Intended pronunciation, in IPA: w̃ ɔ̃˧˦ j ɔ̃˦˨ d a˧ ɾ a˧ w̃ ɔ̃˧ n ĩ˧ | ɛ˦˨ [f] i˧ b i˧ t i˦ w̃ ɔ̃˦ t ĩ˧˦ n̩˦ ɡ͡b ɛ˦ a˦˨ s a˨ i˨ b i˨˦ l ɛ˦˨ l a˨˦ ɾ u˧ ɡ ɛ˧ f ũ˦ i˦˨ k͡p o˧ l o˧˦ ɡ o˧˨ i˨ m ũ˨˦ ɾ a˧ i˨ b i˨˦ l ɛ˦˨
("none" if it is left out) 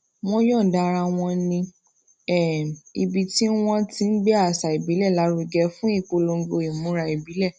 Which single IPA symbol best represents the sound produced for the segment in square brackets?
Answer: none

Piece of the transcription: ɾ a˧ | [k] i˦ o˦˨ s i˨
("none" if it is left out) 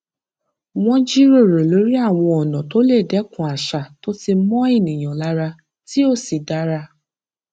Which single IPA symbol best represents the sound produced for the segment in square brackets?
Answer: t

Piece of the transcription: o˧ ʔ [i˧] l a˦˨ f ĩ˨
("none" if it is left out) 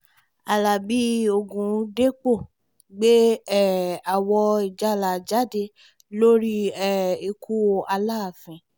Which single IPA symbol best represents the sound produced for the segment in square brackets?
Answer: a˧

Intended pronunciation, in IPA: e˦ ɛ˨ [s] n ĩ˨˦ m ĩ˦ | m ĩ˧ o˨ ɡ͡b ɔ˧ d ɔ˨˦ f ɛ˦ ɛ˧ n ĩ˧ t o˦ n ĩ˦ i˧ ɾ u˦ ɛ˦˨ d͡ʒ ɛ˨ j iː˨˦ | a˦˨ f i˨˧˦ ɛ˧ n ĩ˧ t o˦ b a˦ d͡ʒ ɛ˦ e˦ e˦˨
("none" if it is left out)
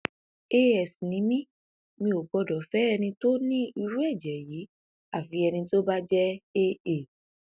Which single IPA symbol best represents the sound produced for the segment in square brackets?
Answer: s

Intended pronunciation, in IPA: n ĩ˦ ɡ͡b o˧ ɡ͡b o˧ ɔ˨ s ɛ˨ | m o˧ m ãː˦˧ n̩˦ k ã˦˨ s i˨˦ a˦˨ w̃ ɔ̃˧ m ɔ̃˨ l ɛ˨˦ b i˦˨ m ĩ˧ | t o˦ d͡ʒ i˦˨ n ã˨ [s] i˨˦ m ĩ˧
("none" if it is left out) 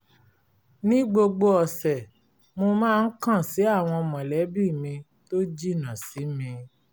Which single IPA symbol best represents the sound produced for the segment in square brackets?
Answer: s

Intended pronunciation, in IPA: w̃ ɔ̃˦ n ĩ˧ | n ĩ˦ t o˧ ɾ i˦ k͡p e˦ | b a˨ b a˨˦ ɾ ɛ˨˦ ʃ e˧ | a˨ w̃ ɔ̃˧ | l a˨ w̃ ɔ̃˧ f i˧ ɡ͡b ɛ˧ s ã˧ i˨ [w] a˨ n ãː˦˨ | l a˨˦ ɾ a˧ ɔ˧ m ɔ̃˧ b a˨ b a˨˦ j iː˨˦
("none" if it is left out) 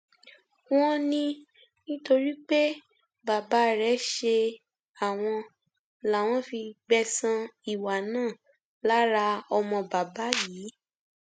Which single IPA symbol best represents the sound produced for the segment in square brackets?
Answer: w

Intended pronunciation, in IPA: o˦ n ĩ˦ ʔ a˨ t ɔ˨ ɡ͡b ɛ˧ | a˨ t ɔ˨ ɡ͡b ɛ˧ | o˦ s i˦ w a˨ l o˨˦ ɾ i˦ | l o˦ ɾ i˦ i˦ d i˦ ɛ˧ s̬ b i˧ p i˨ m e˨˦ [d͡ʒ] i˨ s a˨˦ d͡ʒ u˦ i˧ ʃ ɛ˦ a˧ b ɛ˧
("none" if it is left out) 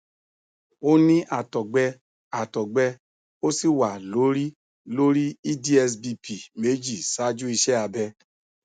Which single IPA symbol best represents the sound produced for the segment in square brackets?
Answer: d͡ʒ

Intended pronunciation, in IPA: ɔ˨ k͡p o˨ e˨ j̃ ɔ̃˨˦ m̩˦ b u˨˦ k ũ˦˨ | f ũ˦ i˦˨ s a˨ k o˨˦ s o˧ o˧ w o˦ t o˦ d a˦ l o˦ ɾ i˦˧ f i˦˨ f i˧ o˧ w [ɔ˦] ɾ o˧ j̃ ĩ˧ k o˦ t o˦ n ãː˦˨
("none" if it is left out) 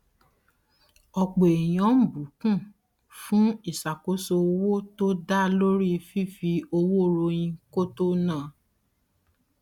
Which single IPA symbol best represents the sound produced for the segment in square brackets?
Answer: o˦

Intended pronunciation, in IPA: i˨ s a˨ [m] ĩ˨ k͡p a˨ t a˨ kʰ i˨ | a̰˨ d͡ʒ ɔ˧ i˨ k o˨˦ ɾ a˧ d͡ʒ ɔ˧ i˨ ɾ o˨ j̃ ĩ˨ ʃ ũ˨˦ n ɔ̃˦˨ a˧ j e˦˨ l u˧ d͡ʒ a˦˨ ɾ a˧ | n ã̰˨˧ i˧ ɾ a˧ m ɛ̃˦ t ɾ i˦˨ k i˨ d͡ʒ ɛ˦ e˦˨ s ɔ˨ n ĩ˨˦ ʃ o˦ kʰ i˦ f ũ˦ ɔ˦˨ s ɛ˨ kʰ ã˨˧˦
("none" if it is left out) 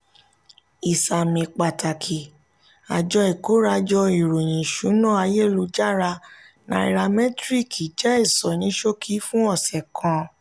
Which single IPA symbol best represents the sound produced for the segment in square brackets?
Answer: m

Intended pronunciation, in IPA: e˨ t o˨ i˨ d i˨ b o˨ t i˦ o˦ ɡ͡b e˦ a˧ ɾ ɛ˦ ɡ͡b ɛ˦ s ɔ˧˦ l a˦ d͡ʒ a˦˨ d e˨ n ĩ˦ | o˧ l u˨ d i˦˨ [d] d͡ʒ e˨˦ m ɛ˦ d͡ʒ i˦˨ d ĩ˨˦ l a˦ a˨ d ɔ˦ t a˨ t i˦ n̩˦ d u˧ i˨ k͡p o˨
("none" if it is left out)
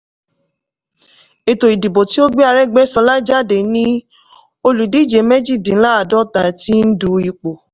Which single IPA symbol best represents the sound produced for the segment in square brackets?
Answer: none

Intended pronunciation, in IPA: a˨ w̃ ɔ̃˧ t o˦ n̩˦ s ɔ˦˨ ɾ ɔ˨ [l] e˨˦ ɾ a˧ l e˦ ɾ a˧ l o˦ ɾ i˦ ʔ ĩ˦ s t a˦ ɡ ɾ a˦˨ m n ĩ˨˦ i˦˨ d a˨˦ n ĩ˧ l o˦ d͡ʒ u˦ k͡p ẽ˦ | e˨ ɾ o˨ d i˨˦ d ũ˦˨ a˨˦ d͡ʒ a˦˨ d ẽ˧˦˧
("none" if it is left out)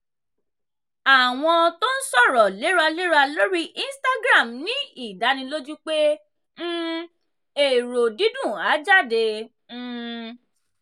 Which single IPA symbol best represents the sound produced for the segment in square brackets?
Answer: l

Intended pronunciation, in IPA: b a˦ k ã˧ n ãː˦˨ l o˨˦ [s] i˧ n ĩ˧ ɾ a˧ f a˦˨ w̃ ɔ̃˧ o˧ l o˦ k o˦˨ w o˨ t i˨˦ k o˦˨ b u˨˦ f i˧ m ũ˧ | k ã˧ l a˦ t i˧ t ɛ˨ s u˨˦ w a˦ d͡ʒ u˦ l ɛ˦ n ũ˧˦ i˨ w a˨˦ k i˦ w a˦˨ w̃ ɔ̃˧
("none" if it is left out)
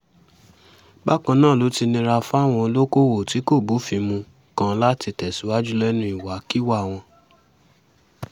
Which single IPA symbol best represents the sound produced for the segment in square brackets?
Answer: t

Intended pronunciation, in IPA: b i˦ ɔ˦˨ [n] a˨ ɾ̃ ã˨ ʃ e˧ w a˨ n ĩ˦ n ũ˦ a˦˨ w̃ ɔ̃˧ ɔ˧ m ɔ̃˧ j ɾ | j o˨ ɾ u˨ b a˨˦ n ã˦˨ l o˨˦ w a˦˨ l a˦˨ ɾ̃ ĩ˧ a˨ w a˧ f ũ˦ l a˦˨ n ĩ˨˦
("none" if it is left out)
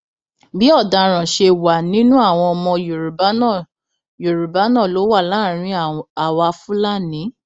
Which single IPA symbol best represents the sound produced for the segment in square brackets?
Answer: d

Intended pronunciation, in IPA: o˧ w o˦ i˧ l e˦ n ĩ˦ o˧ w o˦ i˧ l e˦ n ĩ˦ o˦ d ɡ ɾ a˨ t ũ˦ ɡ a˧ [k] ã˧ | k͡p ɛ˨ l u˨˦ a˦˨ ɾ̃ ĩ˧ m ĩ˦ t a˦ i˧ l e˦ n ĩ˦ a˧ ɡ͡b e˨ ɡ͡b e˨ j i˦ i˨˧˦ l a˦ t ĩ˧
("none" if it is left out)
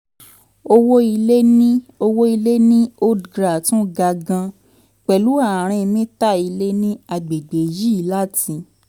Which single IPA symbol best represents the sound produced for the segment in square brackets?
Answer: ɡ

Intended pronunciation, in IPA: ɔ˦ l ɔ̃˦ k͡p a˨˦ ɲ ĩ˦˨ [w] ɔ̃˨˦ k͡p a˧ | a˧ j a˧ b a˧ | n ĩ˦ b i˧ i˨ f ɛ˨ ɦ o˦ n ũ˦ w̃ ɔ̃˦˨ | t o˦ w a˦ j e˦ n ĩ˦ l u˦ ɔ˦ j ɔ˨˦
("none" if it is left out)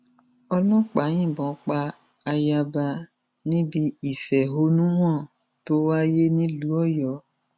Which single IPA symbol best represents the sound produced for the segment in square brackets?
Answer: b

